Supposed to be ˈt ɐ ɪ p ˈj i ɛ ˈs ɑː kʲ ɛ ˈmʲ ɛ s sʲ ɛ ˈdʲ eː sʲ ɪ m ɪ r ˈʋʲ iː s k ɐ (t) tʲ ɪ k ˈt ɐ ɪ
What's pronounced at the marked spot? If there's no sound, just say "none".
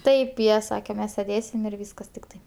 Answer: s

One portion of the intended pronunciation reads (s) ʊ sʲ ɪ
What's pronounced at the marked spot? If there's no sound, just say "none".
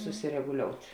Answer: s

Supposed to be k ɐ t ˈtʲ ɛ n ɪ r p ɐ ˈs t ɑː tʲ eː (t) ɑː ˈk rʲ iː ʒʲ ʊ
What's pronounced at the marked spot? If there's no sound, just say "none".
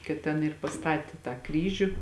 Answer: t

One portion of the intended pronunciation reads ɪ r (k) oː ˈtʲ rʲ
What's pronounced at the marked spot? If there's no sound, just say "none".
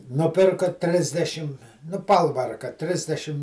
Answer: k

